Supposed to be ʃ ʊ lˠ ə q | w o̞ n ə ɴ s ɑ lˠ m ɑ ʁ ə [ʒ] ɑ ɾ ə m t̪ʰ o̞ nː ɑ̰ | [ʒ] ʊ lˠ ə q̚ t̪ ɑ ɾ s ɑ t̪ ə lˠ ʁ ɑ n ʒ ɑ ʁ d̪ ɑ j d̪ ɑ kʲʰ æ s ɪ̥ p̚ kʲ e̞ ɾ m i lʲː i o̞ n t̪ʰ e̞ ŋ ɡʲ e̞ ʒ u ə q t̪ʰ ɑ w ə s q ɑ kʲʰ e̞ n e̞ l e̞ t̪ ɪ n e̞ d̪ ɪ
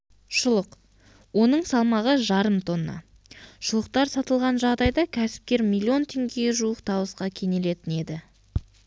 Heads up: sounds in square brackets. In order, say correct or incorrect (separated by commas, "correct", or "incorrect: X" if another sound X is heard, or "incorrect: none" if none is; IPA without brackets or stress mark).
correct, incorrect: ʃ